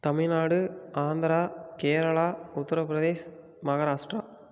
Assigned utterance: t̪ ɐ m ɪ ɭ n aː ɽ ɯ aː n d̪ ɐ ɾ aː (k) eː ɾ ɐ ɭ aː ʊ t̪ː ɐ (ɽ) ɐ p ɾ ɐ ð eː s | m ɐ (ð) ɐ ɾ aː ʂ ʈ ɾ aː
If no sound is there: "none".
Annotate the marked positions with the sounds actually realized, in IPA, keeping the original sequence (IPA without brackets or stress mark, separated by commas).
k, ɾ, ɣ